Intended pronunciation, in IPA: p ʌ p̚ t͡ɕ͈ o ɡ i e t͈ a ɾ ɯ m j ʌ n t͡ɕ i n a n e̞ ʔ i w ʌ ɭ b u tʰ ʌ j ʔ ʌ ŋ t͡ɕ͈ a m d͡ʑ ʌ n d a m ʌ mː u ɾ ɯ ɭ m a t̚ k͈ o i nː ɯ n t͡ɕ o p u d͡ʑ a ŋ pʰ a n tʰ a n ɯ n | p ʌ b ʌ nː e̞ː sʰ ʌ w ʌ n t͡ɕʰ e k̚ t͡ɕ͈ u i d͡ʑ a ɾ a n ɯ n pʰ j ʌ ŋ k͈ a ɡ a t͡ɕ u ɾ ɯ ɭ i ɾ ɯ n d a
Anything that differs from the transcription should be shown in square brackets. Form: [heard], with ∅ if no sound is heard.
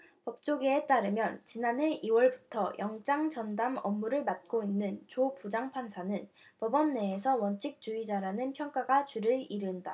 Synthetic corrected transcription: p ʌ p̚ t͡ɕ͈ o ɡ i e t͈ a ɾ ɯ m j ʌ n t͡ɕ i n a n e̞ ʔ i w ʌ ɭ b u tʰ ʌ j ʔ ʌ ŋ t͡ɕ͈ a [ŋ] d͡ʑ ʌ n d a m ʌ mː u ɾ ɯ ɭ m a t̚ k͈ o i nː ɯ n t͡ɕ o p u d͡ʑ a ŋ pʰ a n [sʰ] a n ɯ n | p ʌ b ʌ nː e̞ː sʰ ʌ w ʌ n t͡ɕʰ [i] k̚ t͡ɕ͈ u i d͡ʑ a ɾ a n ɯ n pʰ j ʌ ŋ k͈ a ɡ a t͡ɕ u ɾ ɯ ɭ i ɾ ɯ n d a